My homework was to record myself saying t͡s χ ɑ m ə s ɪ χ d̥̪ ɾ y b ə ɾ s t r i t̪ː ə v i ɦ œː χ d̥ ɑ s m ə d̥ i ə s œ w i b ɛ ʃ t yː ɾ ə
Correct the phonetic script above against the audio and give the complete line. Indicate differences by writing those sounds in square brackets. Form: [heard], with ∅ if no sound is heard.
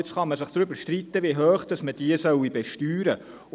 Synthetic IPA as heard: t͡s χ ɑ m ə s ɪ χ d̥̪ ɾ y b ə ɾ [ʃ] t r i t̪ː ə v i ɦ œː χ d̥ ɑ s m ə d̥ i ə s œ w i b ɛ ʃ t yː ɾ ə

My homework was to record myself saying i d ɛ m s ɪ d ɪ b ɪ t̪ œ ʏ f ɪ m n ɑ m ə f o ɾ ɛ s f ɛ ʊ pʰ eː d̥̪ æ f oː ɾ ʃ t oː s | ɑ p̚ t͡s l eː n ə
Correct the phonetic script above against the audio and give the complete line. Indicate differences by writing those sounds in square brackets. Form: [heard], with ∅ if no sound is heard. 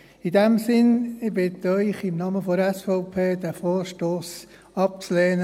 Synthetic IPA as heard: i d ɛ m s ɪ [n] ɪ b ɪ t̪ œ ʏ [χ] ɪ m n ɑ m ə f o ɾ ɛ s f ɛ ʊ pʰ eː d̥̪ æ f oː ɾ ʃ t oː s | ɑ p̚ t͡s l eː n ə

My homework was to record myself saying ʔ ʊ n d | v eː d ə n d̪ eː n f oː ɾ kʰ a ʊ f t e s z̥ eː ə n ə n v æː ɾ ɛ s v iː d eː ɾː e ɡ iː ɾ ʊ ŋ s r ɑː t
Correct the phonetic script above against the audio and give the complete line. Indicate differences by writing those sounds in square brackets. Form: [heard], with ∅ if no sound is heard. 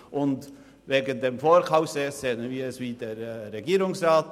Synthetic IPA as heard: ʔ ʊ n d | v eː [ɡ] ə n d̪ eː [m] f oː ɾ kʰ a ʊ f [s] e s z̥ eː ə n ə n v [iː] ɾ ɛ s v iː d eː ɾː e ɡ iː ɾ ʊ ŋ s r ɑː t

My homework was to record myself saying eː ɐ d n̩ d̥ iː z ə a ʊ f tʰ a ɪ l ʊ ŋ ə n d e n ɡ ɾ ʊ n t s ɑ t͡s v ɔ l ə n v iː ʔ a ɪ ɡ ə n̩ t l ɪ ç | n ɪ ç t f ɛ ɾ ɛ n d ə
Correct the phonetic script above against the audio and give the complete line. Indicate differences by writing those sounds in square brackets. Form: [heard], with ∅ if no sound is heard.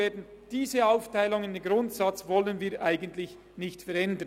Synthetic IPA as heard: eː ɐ d n̩ d̥ iː z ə a ʊ f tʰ a ɪ l ʊ ŋ ə n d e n ɡ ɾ ʊ n t s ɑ t͡s v ɔ l ə n v iː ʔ a ɪ ɡ ə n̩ t l ɪ ç | n ɪ ç t f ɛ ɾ ɛ n d ə

